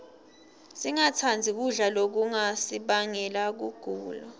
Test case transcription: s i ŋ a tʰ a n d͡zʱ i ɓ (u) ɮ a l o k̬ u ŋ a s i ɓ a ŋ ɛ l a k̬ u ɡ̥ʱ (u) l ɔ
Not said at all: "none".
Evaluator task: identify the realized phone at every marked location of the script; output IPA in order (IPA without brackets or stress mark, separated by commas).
u, uː